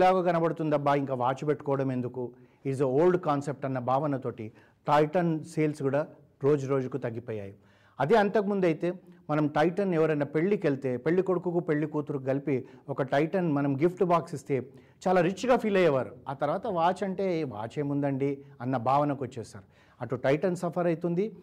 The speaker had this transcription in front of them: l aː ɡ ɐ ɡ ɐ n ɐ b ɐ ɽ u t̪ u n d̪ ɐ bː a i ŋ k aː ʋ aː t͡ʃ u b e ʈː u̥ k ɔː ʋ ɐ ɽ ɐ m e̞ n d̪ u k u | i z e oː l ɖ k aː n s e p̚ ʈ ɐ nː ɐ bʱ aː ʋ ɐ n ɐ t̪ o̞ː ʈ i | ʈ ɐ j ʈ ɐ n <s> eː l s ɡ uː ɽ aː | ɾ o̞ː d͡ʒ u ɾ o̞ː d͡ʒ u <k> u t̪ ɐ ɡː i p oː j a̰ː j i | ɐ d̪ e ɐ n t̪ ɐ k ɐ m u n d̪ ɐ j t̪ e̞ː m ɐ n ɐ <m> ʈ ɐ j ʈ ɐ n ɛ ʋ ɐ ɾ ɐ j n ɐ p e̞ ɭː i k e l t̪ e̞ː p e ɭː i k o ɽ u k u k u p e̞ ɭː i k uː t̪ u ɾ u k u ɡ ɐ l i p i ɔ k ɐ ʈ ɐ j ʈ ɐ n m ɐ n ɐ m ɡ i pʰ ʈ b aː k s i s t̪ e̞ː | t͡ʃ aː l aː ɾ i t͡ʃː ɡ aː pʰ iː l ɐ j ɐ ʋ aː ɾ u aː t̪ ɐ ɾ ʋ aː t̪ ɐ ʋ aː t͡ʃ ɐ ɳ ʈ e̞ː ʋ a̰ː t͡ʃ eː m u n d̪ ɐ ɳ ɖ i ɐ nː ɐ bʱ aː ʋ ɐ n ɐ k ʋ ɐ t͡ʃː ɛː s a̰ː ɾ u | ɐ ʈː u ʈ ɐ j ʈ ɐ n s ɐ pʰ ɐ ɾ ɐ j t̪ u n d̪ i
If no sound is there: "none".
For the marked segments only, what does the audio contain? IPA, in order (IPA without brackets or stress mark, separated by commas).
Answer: s, k, m